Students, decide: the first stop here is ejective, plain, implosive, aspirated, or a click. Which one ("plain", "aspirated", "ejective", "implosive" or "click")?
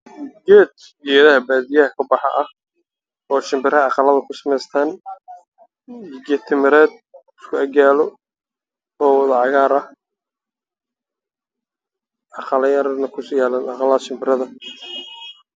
plain